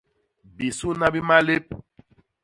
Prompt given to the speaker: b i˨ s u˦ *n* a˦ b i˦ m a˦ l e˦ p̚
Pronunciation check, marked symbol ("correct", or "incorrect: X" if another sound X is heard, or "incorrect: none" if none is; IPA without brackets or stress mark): correct